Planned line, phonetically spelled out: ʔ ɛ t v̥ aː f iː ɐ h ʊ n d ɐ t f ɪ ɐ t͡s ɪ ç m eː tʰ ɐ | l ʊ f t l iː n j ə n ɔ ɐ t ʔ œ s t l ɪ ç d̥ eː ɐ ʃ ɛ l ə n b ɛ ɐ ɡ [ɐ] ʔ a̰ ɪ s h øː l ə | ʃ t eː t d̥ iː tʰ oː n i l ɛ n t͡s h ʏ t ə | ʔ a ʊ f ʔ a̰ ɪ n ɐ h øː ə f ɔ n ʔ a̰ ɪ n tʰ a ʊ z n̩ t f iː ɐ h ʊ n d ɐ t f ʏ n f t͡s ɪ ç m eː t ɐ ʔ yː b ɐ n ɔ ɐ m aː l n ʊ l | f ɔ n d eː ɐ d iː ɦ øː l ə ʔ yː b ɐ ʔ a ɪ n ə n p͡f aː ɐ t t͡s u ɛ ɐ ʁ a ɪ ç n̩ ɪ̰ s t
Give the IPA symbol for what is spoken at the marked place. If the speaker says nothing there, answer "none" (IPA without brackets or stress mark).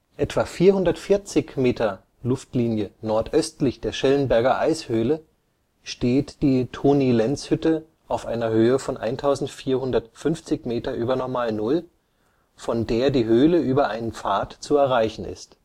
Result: ɐ